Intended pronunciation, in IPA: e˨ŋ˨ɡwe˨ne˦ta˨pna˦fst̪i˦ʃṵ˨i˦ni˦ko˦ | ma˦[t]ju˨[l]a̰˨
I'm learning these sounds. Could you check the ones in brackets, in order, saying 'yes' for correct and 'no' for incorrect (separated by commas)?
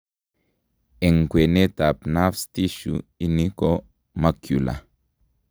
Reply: no, yes